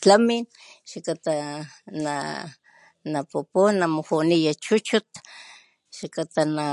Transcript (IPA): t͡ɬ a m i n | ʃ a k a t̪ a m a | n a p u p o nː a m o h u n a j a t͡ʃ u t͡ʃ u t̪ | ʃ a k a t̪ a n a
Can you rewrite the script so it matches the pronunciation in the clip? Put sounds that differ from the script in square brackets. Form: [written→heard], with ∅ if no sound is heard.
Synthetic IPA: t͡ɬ a m i n | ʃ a k a t̪ a [m→n] a | n a p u p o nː a m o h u n [a→i] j a t͡ʃ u t͡ʃ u t̪ | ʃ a k a t̪ a n a